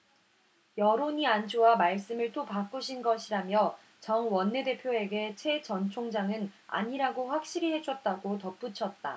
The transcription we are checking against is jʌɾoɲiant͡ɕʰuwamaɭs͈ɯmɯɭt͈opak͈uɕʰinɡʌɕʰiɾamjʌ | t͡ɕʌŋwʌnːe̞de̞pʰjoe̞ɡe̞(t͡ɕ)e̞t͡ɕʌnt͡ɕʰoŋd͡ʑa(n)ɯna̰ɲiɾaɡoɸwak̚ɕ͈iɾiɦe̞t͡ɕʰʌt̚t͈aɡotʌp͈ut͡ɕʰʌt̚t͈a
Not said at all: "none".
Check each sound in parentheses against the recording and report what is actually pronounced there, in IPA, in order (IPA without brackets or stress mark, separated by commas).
t͡ɕʰ, ŋ